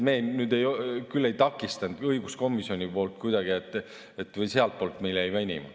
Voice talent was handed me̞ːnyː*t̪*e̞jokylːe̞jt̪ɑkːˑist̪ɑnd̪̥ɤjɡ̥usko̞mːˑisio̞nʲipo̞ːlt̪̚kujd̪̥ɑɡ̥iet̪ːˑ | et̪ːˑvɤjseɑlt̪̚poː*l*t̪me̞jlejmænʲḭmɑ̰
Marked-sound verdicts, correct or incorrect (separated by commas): incorrect, correct